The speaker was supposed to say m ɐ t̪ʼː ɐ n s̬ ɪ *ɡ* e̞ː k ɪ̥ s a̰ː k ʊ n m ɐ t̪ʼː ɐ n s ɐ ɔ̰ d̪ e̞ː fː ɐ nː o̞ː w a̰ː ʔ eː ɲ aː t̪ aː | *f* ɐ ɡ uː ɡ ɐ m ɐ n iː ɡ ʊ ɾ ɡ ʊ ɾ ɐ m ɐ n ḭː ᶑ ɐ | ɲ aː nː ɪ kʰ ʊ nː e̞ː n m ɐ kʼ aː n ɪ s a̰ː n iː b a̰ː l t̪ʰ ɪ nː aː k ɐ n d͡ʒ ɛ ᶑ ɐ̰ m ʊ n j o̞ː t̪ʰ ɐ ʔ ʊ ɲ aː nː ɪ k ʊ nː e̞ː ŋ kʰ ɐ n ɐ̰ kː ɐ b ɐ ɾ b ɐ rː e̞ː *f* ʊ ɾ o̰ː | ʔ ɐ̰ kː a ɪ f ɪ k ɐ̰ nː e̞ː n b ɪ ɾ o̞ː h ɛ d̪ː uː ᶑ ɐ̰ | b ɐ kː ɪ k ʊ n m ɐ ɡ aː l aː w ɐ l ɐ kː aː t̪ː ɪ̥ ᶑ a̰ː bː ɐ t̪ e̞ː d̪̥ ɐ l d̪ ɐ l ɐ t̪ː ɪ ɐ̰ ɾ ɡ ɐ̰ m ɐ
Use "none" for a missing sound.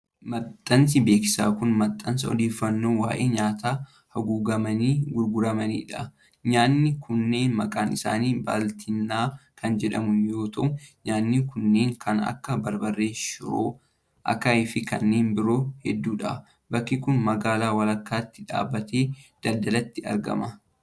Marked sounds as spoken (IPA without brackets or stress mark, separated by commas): b, h, ʃ